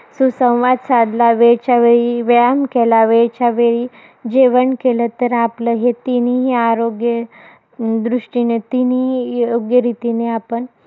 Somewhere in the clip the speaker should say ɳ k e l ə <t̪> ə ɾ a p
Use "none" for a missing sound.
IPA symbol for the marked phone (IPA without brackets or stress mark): t̪